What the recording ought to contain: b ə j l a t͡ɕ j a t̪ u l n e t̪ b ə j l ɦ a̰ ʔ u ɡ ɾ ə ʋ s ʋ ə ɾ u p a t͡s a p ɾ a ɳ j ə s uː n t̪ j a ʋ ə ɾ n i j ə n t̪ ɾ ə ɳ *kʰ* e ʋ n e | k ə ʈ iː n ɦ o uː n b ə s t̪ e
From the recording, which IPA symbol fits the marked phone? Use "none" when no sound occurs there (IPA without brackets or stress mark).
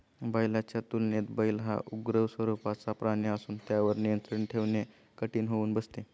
ʈʰ